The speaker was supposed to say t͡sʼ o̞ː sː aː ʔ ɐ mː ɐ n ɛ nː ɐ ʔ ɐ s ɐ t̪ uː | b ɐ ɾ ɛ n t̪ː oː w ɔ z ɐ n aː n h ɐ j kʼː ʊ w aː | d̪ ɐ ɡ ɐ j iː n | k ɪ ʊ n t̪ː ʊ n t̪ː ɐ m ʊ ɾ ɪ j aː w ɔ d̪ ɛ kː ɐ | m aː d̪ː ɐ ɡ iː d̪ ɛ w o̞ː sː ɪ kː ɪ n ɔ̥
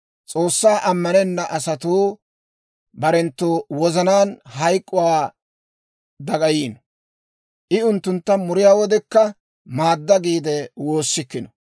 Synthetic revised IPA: t͡sʼ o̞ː sː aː ʔ ɐ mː ɐ n ɛ nː ɐ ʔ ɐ s ɐ t̪ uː | b ɐ ɾ ɛ n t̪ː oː w ɔ z ɐ n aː n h ɐ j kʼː ʊ w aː | d̪ ɐ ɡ ɐ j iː n | ʔ ɪ ʊ n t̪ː ʊ n t̪ː ɐ m ʊ ɾ ɪ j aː w ɔ d̪ ɛ kː ɐ | m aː d̪ː ɐ ɡ iː d̪ ɛ w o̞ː sː ɪ kː ɪ n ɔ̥